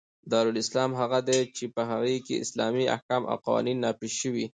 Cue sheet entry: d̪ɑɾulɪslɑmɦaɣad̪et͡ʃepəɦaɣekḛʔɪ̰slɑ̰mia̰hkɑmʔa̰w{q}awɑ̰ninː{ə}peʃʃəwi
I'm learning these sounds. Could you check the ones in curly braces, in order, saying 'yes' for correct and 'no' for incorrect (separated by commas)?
yes, no